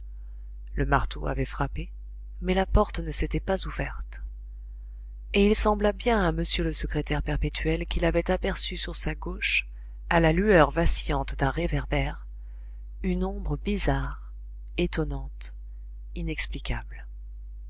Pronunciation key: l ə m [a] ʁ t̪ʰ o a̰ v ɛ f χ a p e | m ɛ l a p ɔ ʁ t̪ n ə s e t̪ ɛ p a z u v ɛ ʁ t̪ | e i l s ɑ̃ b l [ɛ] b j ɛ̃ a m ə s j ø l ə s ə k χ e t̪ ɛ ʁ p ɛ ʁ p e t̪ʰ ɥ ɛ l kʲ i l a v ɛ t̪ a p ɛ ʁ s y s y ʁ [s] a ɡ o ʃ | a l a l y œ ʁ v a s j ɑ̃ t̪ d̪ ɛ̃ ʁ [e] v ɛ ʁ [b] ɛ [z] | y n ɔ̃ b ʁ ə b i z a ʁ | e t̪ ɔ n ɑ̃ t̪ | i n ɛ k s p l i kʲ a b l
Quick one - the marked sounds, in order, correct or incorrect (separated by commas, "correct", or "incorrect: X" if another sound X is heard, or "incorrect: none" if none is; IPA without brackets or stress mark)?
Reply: correct, incorrect: a, correct, correct, correct, incorrect: ʁ